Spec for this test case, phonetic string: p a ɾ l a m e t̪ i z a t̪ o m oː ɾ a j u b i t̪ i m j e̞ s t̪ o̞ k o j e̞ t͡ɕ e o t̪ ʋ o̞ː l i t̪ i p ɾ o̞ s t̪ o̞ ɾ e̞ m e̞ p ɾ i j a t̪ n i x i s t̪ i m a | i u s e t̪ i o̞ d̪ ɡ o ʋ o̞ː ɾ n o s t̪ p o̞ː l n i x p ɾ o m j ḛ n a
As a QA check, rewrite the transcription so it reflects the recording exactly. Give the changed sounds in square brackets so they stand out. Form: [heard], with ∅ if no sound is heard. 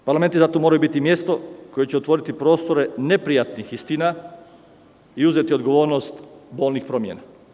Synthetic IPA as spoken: p a ɾ l a m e t̪ i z a t̪ o m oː ɾ a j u b i t̪ i m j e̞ s t̪ o̞ k o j e̞ t͡ɕ e o t̪ ʋ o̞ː [ɾ] i t̪ i p ɾ o̞ s t̪ o̞ ɾ e̞ [n] e̞ p ɾ i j a t̪ n i x i s t̪ i [n] a | i u [z] e t̪ i o̞ d̪ ɡ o ʋ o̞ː ɾ n o s t̪ [b] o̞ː l n i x p ɾ o m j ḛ n a